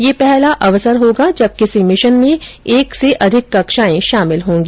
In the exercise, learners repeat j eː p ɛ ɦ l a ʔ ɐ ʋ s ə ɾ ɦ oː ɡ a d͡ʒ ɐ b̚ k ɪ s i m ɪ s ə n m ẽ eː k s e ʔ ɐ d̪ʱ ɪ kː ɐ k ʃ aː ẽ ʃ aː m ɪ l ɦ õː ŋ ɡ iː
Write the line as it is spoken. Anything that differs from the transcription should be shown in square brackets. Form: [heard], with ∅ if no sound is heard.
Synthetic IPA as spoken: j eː p ɛ ɦ l a ʔ ɐ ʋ s ə ɾ ɦ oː ɡ a d͡ʒ ɐ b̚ k ɪ s i m ɪ [ʃ] ə n m ẽ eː k s e ʔ ɐ d̪ʱ ɪ kː ɐ k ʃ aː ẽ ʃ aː m ɪ l ɦ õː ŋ ɡ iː